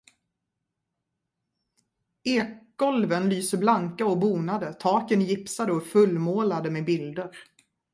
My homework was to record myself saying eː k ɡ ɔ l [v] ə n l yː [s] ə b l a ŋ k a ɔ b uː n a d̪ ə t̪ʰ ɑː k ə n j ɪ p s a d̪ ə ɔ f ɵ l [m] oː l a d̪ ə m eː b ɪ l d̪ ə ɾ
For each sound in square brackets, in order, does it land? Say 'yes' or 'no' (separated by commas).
yes, yes, yes